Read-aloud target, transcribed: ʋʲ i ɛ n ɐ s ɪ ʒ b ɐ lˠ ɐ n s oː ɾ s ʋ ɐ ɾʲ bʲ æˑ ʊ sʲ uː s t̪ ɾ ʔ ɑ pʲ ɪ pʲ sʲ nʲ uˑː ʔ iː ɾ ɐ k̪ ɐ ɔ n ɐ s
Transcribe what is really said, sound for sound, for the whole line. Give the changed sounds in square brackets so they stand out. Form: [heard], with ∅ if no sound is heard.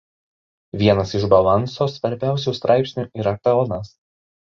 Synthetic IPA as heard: ʋʲ i ɛ n ɐ s ɪ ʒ b ɐ lˠ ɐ n s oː [∅] s ʋ ɐ ɾʲ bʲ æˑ ʊ sʲ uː s t̪ ɾ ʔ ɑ [∅] ɪ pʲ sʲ nʲ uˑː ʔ iː ɾ ɐ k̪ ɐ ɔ n ɐ s